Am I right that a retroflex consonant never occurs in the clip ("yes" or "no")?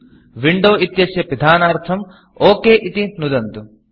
no